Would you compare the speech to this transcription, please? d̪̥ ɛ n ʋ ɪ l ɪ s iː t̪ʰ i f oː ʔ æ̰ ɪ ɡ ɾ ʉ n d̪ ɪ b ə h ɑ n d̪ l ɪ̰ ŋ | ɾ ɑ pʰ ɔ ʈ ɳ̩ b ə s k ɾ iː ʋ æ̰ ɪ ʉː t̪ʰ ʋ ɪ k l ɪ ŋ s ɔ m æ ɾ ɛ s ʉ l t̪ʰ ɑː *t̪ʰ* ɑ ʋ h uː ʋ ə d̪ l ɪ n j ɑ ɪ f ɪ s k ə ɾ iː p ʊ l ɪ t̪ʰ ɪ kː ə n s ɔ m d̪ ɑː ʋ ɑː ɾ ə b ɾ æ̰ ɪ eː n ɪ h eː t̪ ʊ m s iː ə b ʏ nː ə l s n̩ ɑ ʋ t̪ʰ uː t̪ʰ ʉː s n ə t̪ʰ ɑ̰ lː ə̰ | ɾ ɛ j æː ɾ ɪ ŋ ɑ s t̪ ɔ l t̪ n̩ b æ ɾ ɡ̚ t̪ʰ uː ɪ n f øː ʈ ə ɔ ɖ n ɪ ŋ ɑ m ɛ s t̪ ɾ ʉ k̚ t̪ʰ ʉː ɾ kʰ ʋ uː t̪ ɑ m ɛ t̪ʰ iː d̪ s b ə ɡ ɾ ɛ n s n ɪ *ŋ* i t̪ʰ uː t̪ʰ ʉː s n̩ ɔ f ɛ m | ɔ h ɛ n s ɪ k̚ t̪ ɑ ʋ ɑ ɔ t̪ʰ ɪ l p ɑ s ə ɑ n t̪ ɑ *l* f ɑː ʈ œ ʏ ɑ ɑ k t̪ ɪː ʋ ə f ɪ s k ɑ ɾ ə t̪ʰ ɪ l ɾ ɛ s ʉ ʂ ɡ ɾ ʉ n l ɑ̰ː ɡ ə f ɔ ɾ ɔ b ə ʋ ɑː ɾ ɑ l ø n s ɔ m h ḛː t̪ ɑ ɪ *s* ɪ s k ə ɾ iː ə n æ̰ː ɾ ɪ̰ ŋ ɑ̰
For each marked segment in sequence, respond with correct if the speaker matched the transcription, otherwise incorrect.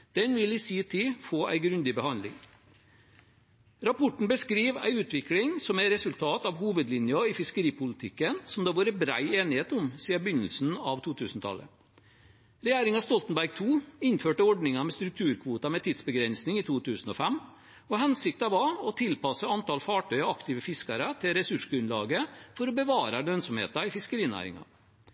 incorrect, correct, correct, incorrect

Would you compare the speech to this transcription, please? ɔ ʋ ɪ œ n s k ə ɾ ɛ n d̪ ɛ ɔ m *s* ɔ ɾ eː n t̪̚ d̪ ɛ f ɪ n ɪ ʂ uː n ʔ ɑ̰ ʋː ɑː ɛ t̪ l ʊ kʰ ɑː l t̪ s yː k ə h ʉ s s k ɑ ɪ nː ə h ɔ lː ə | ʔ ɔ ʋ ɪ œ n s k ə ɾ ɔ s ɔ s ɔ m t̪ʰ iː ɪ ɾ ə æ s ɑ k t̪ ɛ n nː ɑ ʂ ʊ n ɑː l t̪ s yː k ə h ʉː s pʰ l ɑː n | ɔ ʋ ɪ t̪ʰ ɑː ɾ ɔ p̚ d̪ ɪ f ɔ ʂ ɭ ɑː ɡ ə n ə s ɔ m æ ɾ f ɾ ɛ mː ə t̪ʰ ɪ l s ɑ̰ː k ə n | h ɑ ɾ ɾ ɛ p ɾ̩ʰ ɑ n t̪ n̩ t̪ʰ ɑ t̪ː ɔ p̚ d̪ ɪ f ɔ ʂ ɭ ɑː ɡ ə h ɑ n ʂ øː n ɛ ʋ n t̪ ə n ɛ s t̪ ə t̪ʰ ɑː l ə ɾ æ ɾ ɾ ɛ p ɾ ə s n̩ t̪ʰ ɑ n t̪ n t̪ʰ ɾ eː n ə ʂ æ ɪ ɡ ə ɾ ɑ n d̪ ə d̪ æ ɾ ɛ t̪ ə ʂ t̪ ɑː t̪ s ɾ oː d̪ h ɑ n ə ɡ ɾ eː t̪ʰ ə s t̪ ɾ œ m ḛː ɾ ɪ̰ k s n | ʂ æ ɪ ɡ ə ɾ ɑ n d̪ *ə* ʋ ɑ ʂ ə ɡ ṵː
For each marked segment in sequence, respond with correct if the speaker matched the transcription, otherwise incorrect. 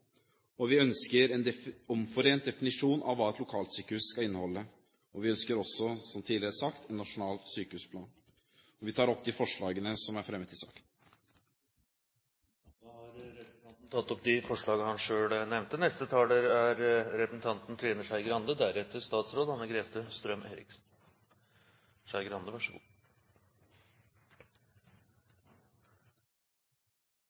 incorrect, correct

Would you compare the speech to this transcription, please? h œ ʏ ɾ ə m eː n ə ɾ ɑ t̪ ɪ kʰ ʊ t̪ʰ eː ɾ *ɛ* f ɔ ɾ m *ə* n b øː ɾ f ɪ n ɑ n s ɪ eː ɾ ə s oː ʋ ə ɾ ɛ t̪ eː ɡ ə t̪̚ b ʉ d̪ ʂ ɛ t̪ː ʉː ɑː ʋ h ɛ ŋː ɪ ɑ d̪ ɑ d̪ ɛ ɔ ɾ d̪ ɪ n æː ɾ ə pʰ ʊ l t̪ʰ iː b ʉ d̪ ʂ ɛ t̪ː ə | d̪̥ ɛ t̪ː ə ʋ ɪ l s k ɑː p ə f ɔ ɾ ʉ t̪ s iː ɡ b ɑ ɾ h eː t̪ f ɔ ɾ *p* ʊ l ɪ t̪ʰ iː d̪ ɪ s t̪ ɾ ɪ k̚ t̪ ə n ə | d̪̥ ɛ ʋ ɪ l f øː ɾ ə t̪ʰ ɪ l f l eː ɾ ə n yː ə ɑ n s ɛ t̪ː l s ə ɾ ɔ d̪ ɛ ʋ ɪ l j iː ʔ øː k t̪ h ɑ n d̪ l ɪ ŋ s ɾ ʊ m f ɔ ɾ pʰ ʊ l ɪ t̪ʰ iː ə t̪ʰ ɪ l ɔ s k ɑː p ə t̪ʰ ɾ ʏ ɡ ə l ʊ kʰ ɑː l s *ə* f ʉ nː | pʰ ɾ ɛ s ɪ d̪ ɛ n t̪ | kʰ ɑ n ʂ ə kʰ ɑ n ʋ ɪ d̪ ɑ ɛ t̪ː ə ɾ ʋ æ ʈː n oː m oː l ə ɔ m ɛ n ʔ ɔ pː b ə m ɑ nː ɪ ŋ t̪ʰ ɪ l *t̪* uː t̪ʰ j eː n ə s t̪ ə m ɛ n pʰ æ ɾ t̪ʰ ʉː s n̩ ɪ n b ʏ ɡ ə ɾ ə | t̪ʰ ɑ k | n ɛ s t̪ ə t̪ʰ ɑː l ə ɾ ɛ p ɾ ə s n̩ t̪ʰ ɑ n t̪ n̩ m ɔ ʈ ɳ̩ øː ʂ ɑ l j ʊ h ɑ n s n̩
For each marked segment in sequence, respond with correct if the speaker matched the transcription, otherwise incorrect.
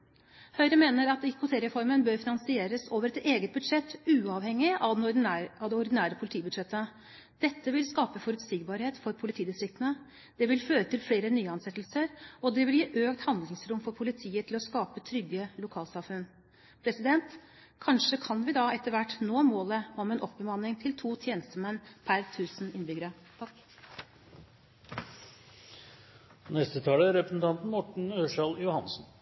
correct, correct, incorrect, incorrect, incorrect

